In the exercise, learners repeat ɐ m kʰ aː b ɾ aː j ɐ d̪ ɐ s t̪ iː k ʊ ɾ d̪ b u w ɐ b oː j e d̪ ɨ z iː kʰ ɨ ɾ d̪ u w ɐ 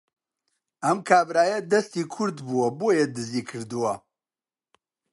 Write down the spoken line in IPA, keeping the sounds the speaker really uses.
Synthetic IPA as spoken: ɐ m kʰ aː b ɾ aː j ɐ d̪ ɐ s t̪ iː kʰ ʊ ɾ d̪ b u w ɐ b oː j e d̪ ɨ z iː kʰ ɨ ɾ d̪ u w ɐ